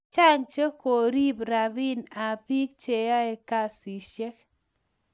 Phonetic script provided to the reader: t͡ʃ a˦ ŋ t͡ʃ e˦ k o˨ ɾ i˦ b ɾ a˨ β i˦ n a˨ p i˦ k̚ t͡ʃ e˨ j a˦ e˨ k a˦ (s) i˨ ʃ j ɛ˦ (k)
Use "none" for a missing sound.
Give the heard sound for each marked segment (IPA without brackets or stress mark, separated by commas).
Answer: s, k